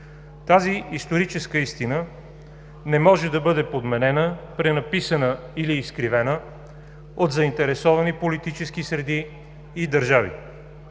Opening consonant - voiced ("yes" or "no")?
no